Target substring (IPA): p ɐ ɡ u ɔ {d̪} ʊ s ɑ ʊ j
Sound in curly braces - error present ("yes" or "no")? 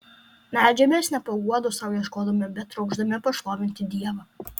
no